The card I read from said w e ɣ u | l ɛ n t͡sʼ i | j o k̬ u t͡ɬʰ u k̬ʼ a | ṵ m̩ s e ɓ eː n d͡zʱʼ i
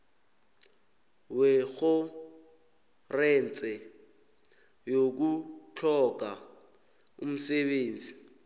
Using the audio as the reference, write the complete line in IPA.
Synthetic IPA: w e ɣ ʊ | r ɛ n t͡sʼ ɛ | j o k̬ u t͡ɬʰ ɔ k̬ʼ a | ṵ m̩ s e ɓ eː n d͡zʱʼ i